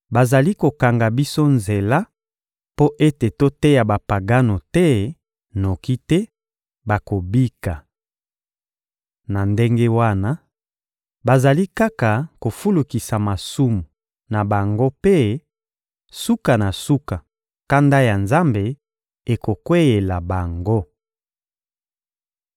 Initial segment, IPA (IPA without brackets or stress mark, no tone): b